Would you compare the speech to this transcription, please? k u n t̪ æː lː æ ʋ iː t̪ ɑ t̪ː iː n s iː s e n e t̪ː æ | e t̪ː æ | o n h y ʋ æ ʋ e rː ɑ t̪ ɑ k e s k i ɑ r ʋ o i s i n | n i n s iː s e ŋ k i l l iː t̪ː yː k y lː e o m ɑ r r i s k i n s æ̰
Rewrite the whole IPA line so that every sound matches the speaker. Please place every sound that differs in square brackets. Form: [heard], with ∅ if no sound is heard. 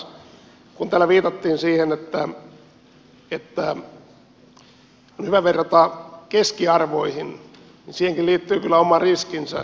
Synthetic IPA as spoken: k u n t̪ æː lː æ ʋ iː t̪ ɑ t̪ː iː n s iː [h] e n e t̪ː æ | e t̪ː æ | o n h y ʋ æ ʋ e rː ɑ t̪ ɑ k e s k i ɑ r ʋ o i [h] i n | n i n s iː [h] e ŋ k i l l iː t̪ː yː k y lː [æ] o m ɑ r r i s k i n s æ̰